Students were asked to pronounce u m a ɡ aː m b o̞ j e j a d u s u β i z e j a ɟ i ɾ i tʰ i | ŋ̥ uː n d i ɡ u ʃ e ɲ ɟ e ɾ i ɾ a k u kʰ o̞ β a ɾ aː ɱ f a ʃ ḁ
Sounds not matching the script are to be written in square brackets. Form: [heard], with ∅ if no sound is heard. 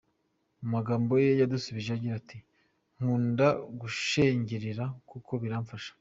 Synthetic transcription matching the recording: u m a ɡ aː m b o̞ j e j a d u s u β i [ʒ] e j a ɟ i ɾ [a] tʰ i | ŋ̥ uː n d [a] ɡ u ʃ e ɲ ɟ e ɾ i ɾ a k u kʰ o̞ β [i] ɾ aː ɱ f a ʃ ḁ